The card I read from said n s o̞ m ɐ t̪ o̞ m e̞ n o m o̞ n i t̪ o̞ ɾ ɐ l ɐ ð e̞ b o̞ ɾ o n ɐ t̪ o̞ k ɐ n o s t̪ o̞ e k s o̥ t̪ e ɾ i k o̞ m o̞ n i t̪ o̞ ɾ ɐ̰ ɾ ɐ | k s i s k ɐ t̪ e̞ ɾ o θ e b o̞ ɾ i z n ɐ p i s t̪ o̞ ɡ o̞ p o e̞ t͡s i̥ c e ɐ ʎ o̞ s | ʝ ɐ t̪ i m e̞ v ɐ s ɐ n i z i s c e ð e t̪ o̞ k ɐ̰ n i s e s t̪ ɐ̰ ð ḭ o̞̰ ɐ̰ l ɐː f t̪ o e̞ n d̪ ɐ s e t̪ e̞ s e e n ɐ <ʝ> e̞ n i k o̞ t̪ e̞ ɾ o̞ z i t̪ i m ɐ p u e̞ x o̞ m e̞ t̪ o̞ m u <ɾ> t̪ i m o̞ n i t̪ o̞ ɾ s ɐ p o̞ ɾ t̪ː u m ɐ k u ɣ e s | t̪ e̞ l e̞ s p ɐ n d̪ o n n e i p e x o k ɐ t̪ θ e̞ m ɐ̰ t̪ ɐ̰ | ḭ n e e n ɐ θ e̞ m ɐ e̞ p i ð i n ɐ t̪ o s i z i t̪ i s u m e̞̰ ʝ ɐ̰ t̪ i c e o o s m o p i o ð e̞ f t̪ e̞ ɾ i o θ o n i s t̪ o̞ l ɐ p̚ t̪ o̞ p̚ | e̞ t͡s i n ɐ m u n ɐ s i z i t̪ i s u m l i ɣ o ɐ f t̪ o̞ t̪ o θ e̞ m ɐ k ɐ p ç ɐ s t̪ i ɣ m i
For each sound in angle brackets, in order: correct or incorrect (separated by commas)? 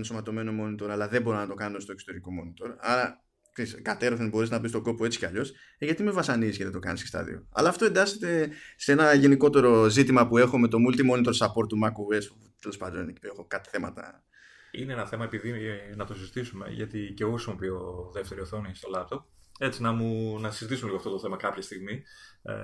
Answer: correct, incorrect